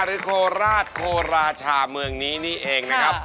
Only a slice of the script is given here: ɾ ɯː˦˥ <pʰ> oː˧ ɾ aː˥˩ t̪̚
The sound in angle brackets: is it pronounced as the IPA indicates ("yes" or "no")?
no